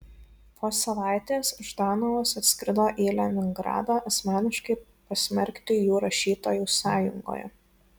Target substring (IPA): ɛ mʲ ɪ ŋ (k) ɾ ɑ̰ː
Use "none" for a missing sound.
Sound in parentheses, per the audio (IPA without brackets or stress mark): ɡ